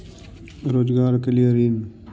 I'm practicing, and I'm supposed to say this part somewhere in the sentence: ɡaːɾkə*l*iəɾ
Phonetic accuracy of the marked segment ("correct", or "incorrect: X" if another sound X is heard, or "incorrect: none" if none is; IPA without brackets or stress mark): correct